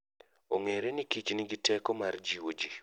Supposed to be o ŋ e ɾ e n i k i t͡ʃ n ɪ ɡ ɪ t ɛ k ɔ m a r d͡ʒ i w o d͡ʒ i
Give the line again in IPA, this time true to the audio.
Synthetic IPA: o ŋ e ɾ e n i k i t͡ʃ n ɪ ɡ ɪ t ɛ k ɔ m a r d͡ʒ i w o d͡ʒ i